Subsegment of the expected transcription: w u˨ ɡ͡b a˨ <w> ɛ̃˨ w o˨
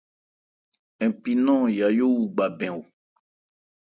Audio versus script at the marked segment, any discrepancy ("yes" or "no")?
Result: yes